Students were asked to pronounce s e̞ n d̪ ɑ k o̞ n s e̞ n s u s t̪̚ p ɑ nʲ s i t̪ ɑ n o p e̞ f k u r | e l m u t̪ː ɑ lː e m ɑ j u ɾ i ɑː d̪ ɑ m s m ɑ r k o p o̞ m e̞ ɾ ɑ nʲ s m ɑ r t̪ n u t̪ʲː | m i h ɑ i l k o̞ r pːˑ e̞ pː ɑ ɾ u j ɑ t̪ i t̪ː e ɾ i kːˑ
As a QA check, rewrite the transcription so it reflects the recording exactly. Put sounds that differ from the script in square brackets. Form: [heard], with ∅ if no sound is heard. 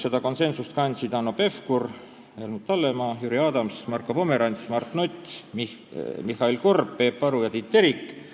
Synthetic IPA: s e̞ [∅] d̪ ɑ k o̞ n s e̞ n s u s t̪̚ [k] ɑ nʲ s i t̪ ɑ n o p e̞ f k u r | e l m u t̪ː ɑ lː e m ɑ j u ɾ i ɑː d̪ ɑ m s m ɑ r k o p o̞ m e̞ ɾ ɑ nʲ s m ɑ r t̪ n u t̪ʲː | m i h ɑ i l k o̞ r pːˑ e̞ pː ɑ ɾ u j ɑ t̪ i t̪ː e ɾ i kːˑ